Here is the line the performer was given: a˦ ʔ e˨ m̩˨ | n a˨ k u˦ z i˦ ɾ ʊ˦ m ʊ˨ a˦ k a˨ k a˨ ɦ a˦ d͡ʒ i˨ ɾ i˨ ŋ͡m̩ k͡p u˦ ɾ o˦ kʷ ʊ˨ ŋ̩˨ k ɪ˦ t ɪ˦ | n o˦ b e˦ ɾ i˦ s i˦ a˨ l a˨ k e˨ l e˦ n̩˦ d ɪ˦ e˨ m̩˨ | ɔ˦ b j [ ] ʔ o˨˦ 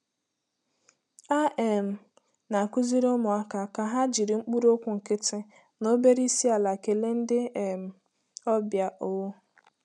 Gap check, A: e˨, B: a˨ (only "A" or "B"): B